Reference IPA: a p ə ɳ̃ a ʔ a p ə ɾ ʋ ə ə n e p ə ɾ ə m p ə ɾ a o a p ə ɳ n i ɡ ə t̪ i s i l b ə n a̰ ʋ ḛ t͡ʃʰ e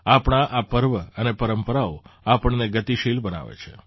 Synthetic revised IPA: a p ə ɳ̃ a ʔ a p ə ɾ ʋ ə ə n e p ə ɾ ə m p ə ɾ a o a p ə ɳ n e ɡ ə t̪ i ʃ i l b ə n a̰ ʋ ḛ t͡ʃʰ e